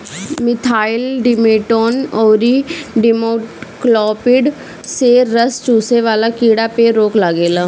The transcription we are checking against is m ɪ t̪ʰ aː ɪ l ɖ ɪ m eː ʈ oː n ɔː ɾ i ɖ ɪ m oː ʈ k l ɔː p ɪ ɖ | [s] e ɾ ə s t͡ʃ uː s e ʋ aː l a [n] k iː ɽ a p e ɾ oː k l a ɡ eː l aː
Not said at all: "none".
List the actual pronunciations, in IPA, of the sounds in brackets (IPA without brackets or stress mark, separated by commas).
s, none